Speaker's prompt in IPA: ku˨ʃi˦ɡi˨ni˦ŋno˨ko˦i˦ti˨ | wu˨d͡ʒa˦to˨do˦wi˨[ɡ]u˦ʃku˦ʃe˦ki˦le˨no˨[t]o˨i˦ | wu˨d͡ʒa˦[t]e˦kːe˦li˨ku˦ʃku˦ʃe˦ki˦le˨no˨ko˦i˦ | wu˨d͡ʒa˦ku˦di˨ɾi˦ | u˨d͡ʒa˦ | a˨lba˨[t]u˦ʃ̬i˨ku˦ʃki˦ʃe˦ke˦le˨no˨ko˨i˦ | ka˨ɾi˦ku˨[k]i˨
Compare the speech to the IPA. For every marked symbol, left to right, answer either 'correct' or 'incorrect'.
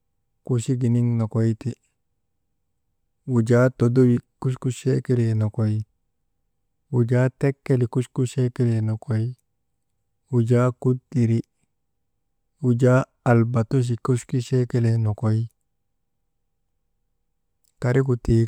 incorrect, incorrect, correct, correct, incorrect

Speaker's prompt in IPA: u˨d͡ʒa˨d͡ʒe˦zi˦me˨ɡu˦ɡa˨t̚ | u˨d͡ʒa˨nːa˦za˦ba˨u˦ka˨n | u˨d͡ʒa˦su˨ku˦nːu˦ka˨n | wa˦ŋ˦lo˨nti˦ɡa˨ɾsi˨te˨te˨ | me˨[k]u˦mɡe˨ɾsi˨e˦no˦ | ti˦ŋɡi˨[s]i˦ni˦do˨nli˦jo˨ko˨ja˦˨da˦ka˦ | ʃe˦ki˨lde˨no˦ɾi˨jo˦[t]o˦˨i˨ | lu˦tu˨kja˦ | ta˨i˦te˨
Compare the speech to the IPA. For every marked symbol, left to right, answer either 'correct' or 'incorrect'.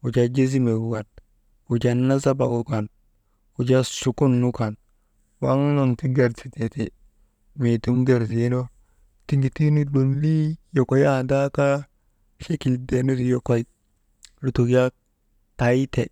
incorrect, incorrect, incorrect

